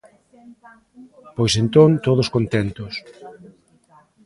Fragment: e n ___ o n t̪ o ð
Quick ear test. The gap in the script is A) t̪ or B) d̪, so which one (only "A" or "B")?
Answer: A